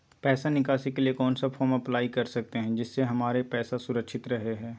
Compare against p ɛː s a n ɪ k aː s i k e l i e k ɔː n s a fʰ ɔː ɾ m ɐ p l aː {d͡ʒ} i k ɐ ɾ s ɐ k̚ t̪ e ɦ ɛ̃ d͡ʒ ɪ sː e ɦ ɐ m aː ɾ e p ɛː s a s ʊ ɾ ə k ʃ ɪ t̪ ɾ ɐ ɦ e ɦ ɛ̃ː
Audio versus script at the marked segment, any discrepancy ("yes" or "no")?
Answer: yes